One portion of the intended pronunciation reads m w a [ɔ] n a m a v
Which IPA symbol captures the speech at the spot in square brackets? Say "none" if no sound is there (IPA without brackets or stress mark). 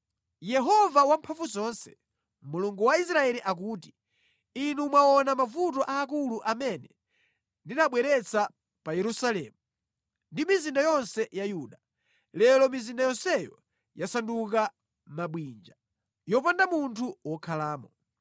ɔ